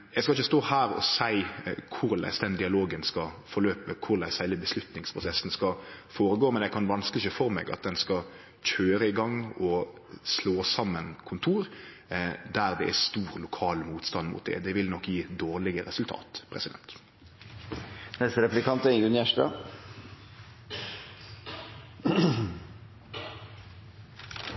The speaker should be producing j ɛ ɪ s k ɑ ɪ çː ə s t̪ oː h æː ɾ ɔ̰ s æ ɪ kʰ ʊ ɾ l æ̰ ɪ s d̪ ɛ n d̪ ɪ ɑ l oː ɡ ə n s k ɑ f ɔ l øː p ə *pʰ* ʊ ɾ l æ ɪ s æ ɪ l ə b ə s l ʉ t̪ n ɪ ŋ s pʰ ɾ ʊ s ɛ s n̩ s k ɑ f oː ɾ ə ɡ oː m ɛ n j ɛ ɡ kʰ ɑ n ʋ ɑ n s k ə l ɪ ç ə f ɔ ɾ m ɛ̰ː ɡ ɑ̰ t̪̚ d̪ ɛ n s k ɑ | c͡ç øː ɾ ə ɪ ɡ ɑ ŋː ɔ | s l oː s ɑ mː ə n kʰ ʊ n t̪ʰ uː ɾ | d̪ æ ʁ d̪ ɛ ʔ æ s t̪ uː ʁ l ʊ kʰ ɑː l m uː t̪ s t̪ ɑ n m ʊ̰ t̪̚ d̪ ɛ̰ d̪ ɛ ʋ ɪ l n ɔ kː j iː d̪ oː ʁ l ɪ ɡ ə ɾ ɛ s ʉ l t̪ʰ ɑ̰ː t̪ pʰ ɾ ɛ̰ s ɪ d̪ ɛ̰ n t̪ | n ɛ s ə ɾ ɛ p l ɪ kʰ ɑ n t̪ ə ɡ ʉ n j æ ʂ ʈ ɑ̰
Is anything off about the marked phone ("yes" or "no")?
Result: yes